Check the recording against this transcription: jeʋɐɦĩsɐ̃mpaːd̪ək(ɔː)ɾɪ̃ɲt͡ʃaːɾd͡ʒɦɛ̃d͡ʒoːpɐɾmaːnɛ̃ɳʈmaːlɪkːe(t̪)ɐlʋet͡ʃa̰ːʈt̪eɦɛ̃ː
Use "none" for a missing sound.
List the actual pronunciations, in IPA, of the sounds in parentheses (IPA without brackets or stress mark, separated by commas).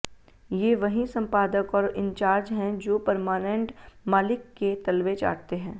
ɔː, t̪